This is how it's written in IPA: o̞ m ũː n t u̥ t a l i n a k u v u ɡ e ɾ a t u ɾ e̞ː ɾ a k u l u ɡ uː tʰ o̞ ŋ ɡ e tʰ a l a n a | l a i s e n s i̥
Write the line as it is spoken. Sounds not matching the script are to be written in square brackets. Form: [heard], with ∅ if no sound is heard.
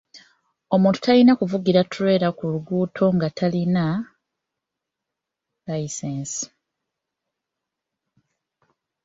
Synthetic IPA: o̞ m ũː n t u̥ t a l i n a k u v u ɡ [i] ɾ a t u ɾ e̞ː ɾ a k u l u ɡ uː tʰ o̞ ŋ ɡ [a] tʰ a l [i] n a | l a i s e n s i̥